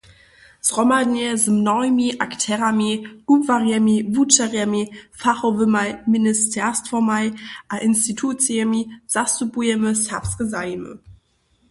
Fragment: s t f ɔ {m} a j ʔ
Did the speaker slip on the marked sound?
no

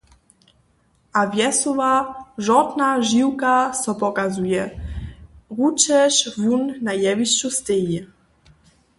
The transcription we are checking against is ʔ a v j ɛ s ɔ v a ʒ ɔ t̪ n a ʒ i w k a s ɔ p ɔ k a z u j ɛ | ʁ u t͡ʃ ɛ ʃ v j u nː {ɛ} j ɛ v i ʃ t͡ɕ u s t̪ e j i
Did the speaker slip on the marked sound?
yes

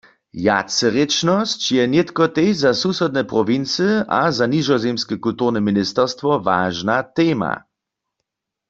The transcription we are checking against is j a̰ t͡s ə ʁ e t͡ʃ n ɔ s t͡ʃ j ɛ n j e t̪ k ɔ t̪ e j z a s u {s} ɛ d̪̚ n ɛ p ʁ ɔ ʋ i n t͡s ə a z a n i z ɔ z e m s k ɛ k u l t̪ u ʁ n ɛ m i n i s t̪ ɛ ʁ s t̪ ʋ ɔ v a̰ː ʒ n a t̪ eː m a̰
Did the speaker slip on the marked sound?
no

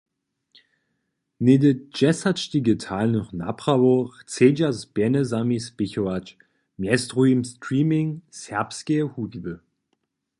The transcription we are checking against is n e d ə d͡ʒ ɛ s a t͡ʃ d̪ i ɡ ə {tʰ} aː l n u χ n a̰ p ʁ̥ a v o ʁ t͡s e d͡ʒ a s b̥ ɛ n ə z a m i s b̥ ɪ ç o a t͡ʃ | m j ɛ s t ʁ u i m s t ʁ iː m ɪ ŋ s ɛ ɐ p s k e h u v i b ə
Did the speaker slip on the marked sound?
no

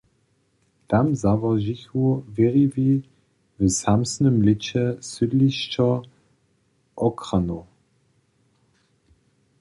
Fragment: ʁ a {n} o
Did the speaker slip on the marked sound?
no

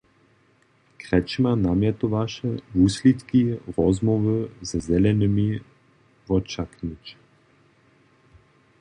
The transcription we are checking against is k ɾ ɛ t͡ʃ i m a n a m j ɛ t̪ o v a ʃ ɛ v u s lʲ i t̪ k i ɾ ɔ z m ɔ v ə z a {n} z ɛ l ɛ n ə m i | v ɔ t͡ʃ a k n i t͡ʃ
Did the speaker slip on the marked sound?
yes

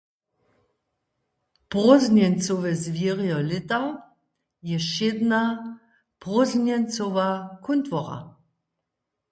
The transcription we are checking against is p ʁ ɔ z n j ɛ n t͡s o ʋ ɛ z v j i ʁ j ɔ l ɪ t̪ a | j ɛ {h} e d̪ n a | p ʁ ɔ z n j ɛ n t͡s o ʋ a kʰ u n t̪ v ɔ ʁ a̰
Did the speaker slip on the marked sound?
yes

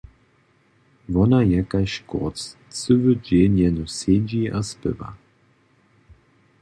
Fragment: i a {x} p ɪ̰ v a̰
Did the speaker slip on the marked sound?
yes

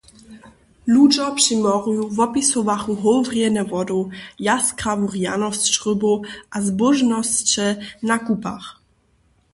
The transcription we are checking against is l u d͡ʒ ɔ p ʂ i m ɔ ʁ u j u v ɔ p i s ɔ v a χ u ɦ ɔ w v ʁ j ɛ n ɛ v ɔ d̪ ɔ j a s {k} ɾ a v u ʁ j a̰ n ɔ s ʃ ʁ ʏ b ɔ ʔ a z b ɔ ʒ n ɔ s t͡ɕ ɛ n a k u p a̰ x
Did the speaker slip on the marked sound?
no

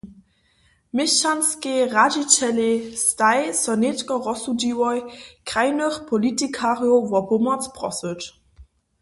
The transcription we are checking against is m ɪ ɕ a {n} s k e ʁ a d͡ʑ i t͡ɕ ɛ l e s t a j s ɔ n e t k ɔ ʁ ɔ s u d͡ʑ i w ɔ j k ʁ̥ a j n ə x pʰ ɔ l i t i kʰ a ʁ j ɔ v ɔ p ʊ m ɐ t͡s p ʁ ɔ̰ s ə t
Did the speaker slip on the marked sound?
no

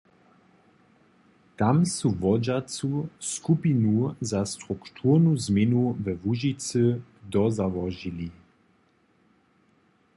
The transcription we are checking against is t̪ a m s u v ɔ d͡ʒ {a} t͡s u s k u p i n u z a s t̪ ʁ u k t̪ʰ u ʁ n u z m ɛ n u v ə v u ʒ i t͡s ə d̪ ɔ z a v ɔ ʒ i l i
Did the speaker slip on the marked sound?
no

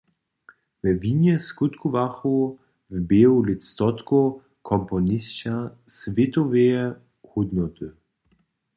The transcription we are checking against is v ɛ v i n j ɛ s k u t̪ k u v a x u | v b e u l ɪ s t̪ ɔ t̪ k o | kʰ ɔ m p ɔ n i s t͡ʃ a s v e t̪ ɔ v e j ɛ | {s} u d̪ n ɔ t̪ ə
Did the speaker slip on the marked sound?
yes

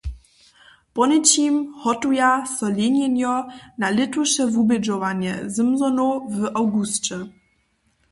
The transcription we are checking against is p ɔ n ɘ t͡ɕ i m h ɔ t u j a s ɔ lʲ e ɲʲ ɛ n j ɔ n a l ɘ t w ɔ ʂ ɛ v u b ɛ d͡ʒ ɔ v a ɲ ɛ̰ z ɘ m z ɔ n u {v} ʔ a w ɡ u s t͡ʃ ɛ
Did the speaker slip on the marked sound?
no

